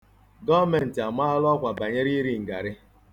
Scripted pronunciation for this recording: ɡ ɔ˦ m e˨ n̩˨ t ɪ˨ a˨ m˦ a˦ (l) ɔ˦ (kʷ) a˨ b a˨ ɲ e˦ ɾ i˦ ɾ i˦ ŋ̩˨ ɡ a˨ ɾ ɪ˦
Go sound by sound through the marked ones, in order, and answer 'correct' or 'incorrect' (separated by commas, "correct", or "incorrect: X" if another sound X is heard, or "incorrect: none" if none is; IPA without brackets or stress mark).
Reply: correct, correct